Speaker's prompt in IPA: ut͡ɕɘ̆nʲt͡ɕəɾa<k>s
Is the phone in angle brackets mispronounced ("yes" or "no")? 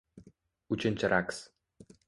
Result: no